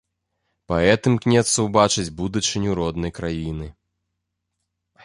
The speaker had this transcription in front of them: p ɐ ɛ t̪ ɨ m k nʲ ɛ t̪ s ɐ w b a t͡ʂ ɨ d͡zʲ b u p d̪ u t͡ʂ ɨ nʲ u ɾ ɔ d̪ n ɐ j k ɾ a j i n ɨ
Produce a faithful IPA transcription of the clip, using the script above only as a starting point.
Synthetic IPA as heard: p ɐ ɛ t̪ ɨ m k nʲ ɛ t̪ s ɐ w b a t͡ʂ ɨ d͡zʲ b u d̪ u t͡ʂ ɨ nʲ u ɾ ɔ d̪ n ɐ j k ɾ a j i n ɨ